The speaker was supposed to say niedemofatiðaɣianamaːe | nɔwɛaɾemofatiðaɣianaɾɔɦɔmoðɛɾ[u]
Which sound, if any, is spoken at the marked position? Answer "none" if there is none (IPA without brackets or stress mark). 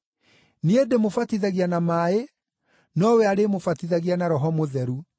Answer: u